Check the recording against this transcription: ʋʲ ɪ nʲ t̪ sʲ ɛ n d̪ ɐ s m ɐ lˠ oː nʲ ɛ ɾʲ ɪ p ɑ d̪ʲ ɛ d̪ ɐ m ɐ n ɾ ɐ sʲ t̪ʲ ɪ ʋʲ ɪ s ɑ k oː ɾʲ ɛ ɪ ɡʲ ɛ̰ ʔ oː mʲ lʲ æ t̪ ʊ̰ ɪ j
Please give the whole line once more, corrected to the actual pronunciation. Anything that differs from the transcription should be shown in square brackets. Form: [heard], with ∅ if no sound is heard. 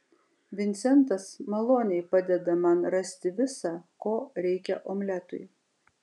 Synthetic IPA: ʋʲ ɪ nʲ t̪ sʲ ɛ n [t̪] ɐ s m ɐ lˠ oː nʲ ɛ [∅] ɪ p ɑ d̪ʲ ɛ d̪ ɐ m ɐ n ɾ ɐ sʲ t̪ʲ ɪ ʋʲ ɪ s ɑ k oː ɾʲ ɛ ɪ [kʲ] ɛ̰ ʔ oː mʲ lʲ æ t̪ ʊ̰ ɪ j